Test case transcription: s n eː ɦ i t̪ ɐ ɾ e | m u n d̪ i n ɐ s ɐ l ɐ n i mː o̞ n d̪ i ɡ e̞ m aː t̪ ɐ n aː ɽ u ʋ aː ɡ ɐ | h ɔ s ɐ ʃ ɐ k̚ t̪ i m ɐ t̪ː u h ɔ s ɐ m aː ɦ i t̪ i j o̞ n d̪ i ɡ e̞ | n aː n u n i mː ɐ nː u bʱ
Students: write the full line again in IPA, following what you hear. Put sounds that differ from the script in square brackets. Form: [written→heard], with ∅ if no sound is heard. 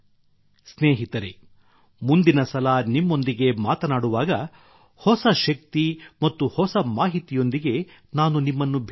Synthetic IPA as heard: s n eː ɦ i t̪ ɐ ɾ e | m u n d̪ i n ɐ s ɐ l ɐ n i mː o̞ n d̪ i ɡ e̞ m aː t̪ ɐ n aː ɽ u ʋ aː ɡ ɐ | h ɔ s ɐ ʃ ɐ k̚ t̪ i m ɐ t̪ː u h ɔ s ɐ m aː ɦ i t̪ i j o̞ n d̪ i ɡ e̞ | n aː n u n i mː ɐ nː u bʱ